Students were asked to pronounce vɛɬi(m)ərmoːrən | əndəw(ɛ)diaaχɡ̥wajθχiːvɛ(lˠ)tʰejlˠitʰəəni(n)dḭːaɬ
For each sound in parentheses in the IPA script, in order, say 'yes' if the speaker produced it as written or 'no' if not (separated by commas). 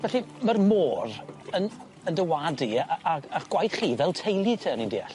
yes, no, yes, yes